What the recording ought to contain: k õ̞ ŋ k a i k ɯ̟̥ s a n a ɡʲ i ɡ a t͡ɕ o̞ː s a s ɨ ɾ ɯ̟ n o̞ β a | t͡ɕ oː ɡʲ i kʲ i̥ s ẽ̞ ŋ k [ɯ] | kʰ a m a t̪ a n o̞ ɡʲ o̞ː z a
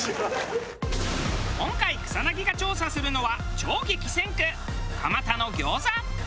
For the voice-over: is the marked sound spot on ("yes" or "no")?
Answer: yes